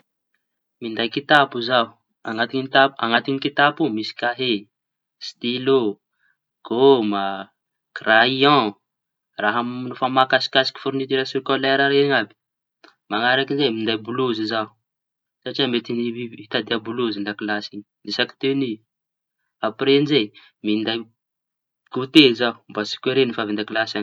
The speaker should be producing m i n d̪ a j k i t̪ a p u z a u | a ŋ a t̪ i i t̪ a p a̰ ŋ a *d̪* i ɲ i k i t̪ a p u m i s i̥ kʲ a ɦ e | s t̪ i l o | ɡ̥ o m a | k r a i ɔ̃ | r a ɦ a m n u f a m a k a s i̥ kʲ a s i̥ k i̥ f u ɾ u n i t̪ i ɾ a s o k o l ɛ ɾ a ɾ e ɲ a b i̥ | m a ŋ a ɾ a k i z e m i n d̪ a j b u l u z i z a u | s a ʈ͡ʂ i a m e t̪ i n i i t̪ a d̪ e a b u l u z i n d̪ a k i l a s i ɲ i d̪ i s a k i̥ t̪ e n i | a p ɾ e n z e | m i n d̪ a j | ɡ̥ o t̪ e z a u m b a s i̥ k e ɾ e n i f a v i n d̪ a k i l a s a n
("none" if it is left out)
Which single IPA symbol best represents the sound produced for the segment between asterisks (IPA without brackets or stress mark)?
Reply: t̪